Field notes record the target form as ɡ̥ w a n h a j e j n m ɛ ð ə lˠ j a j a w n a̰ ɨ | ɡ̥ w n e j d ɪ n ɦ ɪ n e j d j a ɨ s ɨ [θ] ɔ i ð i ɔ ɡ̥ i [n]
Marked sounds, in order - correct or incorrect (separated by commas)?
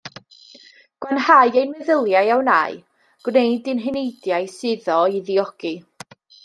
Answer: incorrect, incorrect